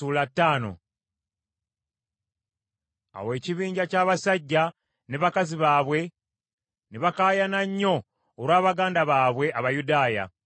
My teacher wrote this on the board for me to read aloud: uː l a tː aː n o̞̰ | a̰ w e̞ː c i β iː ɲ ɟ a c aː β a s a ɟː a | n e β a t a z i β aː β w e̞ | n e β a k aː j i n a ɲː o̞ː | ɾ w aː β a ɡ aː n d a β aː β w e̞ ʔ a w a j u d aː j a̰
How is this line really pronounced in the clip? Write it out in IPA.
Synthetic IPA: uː l a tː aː n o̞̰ | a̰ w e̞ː c i β iː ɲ ɟ a c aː β a s a ɟː a | n e β a k a z i β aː β w e̞ | n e β a k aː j a n a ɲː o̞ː | ɾ w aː β a ɡ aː n d a β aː β w e̞ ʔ a β a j u d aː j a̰